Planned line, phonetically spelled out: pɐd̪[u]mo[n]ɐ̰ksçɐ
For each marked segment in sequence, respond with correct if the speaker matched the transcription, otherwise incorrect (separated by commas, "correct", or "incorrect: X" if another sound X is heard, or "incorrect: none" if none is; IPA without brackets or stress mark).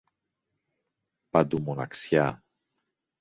correct, correct